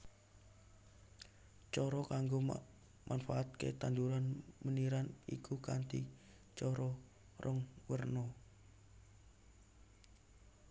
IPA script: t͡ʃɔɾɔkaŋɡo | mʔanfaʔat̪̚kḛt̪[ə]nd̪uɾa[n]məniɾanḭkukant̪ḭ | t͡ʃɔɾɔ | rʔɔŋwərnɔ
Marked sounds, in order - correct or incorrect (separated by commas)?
incorrect, correct